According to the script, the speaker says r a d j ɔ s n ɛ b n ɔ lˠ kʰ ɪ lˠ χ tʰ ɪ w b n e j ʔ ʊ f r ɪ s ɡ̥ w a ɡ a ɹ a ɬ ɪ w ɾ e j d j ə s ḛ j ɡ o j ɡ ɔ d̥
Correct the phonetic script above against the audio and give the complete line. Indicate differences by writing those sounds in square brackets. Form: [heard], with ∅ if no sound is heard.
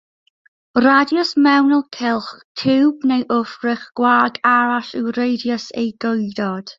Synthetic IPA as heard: r a d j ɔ s [m] ɛ [w] n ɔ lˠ kʰ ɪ lˠ χ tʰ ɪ w b n e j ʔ ʊ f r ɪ [χ] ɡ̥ w a ɡ a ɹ a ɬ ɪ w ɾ e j d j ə s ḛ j ɡ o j [d] ɔ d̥